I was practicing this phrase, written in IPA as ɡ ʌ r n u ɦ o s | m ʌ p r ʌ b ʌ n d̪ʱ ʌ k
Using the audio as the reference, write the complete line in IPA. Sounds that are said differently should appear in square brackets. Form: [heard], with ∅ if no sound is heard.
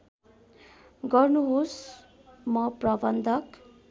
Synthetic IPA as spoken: ɡ ʌ r n u ɦ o s | m ʌ p r ʌ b ʌ n d̪ʱ ʌ k

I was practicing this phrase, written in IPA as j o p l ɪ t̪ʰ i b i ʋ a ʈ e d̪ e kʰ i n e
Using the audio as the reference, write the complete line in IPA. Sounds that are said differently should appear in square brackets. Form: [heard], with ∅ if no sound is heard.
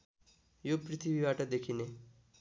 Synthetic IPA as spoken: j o p [ɾ] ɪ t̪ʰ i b i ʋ a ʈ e d̪ e kʰ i n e

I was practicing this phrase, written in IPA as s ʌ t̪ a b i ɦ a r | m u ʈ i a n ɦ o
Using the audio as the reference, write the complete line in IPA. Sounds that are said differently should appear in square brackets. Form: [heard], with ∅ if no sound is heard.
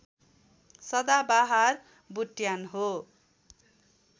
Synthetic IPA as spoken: s ʌ [d̪] a b [a] ɦ a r | [b] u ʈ [j] a n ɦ o

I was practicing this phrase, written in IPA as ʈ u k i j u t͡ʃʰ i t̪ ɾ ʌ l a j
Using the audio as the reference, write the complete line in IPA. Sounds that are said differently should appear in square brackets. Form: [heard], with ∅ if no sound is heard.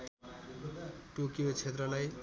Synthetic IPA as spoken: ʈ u k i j [o] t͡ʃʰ [e] t̪ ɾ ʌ l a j

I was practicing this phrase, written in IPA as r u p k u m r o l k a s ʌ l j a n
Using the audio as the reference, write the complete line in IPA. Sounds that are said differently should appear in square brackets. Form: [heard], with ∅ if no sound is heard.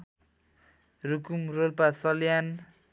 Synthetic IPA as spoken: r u [∅] k u m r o l [p] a s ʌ l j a n

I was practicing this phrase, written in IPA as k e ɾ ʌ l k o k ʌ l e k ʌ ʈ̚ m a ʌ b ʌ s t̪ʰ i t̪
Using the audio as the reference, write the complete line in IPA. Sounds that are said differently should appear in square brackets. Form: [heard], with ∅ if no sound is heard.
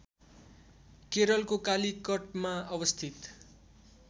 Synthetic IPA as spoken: k e ɾ ʌ l k o k [a] l [i] k ʌ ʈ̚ m a ʌ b ʌ s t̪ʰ i t̪

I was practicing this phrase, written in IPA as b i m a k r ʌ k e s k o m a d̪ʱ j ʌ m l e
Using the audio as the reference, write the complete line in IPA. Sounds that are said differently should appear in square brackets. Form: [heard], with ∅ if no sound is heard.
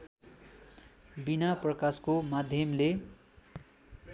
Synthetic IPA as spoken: b i [n] a [p] r ʌ k [a] s k o m a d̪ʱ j ʌ m l e

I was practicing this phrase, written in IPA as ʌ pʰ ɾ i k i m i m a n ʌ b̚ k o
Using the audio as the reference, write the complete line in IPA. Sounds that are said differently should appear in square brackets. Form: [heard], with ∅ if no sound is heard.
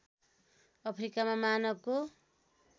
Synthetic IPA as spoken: ʌ pʰ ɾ i k [a] m [a] m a n ʌ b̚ k o

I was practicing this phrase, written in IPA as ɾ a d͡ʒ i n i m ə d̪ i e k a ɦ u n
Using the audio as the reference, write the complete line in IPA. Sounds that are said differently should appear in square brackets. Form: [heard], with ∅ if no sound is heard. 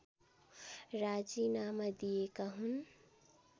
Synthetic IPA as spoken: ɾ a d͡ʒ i n [a] m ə d̪ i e k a ɦ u n

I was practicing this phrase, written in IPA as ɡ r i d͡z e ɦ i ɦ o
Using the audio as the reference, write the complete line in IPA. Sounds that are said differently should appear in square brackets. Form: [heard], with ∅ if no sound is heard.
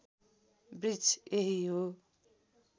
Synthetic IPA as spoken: [b] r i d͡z e ɦ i ɦ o

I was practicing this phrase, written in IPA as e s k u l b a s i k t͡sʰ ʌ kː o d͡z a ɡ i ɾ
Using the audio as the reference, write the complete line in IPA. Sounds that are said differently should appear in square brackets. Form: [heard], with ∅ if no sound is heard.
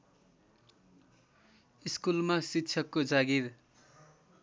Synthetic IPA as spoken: [i] s k u l [m] a s i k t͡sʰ ʌ kː o d͡z a ɡ i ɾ

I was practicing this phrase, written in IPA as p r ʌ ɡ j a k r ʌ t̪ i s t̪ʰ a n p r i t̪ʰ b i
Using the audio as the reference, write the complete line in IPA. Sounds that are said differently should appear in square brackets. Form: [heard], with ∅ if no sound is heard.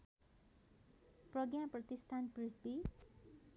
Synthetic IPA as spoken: p r ʌ ɡ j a [p] r ʌ t̪ i s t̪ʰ a n p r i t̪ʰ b i

